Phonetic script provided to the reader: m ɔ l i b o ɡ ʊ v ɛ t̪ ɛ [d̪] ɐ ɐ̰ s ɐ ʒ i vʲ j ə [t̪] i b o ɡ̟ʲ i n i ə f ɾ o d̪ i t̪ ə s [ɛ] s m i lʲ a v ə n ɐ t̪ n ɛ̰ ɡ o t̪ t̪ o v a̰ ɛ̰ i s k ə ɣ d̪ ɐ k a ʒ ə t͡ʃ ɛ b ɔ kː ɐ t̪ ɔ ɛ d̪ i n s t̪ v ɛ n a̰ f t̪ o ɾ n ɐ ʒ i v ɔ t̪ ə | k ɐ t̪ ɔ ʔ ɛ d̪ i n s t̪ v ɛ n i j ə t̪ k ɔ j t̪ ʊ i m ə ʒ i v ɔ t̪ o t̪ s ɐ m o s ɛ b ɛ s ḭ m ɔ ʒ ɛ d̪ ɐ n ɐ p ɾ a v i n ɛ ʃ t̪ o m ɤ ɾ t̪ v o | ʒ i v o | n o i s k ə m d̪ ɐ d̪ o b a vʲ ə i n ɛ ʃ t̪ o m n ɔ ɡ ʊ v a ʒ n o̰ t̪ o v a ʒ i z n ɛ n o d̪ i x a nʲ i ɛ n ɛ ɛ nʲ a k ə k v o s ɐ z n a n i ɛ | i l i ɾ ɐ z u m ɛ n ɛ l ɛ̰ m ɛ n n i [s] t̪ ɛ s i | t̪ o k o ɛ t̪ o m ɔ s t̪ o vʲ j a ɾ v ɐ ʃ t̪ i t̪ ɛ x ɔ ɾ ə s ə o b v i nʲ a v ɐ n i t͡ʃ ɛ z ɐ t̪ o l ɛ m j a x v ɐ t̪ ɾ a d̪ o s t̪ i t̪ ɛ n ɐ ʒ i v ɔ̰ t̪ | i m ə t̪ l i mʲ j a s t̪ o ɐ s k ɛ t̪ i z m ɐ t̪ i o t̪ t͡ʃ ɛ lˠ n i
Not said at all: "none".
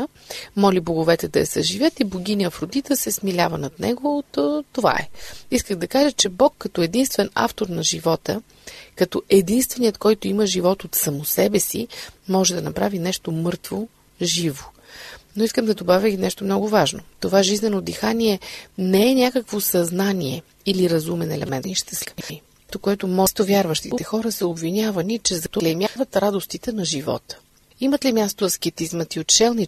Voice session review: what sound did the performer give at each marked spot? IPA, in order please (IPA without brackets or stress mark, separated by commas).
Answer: d̪, t̪, ɛ, ʃ